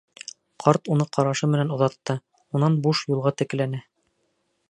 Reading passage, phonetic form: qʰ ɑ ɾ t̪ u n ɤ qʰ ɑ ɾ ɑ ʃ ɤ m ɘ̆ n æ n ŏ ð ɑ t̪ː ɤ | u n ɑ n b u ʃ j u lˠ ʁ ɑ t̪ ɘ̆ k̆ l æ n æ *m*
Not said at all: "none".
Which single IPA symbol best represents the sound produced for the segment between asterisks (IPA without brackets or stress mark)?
none